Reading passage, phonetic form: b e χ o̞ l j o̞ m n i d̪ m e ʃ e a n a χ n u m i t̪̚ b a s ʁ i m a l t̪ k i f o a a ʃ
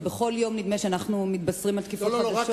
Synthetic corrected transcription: b e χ o̞ l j o̞ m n i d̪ m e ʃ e a n a χ n u m i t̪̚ b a s ʁ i m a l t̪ k i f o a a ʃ